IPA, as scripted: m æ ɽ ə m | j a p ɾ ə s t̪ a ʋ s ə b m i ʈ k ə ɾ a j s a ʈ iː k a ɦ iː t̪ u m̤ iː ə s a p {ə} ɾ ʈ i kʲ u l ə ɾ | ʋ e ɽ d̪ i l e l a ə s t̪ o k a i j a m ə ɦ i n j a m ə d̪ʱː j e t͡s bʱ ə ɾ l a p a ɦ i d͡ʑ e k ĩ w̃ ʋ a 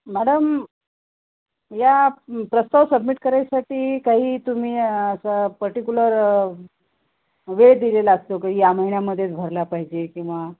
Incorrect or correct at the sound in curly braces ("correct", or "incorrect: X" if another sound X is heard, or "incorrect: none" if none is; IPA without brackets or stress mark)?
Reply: correct